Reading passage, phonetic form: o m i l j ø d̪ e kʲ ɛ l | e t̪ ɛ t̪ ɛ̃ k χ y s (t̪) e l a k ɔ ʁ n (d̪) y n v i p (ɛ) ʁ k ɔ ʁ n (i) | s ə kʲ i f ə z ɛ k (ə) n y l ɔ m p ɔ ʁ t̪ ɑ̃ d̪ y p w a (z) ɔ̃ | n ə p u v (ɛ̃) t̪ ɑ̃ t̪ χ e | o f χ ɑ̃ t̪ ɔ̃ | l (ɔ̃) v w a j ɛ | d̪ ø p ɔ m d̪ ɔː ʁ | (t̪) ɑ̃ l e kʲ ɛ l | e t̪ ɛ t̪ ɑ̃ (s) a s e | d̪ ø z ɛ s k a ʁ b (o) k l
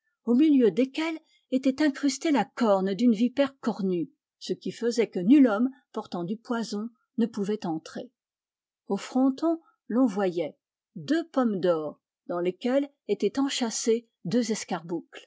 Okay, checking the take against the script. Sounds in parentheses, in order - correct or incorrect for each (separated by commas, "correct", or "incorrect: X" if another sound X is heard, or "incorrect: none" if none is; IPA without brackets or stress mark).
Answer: correct, correct, correct, incorrect: y, correct, correct, incorrect: ɛ, correct, incorrect: d̪, incorrect: ʃ, incorrect: u